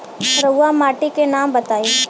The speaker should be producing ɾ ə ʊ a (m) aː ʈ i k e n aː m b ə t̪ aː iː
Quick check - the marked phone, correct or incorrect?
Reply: correct